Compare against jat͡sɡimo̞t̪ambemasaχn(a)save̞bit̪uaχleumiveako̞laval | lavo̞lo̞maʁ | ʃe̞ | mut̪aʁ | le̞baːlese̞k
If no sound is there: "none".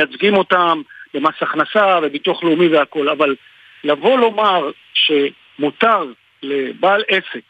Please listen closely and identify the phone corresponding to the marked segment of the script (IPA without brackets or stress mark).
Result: a